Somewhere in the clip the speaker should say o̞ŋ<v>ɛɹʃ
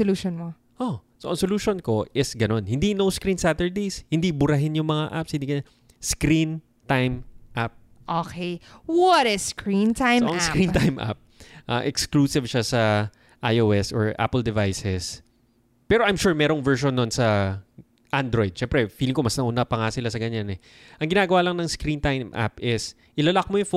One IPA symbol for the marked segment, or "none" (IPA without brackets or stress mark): v